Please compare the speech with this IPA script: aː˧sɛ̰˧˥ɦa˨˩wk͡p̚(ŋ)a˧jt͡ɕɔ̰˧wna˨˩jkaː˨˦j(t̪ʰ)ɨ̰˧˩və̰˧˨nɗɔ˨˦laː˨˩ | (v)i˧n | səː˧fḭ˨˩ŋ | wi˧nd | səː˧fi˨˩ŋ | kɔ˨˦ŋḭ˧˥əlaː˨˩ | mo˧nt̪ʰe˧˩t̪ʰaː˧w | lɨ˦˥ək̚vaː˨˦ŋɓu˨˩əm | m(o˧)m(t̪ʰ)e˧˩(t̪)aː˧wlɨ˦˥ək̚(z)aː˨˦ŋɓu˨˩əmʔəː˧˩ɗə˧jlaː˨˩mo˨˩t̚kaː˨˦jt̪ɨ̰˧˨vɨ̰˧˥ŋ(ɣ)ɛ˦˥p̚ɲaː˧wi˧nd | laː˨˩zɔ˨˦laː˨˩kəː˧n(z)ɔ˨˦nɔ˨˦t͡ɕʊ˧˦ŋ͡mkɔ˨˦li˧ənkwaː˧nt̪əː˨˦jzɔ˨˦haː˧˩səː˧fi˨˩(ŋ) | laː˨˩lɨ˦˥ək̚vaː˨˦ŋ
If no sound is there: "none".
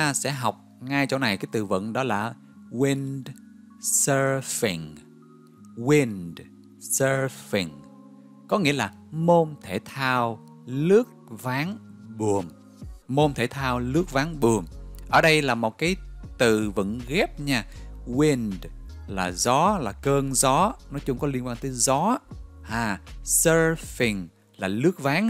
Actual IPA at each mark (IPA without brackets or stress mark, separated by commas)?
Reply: ŋ, t̪, w, o˧, t̪ʰ, t̪ʰ, v, ɣ, z, ŋ